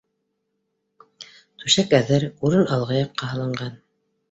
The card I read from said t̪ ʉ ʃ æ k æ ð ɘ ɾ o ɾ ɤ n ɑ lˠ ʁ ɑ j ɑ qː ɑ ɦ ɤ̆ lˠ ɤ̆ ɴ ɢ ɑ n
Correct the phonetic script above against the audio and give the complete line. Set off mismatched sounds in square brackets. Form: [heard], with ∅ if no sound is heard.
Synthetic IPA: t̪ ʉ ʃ æ k æ ð ɘ ɾ [u] ɾ ɤ n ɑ lˠ ʁ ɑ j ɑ qː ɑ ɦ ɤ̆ lˠ ɤ̆ ɴ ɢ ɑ n